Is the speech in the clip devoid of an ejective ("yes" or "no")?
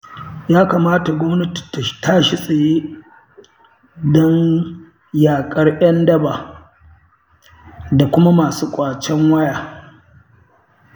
no